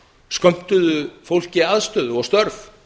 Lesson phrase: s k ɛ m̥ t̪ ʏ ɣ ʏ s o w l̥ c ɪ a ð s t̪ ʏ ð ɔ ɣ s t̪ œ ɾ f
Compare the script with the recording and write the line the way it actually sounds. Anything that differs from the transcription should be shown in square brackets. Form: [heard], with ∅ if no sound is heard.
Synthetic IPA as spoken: s k [œ] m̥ t̪ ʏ [ð] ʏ [f] o w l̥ c ɪ a ð s t̪ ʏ ð ɔ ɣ s t̪ œ ɾ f